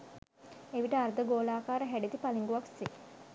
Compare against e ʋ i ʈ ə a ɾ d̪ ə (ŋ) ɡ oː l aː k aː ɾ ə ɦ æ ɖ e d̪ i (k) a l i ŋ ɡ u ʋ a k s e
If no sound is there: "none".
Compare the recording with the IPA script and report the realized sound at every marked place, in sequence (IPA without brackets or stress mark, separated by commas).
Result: none, p